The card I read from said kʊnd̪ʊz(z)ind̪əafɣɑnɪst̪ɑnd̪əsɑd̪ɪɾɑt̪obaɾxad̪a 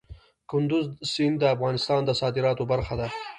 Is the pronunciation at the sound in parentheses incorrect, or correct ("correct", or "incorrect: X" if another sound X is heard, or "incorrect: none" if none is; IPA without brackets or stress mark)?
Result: incorrect: s